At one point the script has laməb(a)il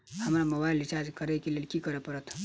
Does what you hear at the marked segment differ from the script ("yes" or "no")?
no